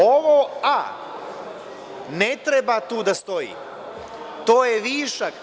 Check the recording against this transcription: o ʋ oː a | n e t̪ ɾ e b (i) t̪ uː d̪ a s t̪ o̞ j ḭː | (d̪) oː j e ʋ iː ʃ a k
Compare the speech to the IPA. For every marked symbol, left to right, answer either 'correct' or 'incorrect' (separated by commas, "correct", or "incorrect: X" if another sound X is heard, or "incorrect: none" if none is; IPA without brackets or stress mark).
incorrect: a, incorrect: t̪